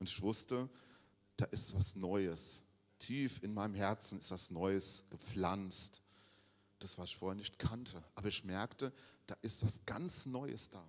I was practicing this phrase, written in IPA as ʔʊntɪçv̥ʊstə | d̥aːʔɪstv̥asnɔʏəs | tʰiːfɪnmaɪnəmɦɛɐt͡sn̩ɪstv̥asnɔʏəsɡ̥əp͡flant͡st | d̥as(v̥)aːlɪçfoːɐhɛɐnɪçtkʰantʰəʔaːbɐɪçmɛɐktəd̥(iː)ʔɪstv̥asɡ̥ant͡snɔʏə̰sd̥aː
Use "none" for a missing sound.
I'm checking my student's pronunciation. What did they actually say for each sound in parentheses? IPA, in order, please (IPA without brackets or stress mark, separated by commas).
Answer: v̥, aː